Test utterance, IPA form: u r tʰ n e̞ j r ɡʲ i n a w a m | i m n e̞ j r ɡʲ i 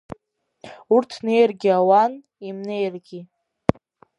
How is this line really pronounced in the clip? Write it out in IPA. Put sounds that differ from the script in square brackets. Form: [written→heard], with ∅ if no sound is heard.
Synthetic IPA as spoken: u r tʰ n e̞ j r ɡʲ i [n→∅] a w a [m→n] | i m n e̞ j r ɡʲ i